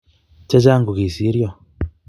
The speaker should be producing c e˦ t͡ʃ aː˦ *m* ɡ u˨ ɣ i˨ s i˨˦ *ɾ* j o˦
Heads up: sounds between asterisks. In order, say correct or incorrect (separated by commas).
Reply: incorrect, correct